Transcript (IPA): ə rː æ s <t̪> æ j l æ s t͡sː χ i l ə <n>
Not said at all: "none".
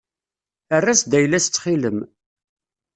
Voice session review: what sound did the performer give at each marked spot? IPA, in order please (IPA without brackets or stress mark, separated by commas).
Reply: d̪, m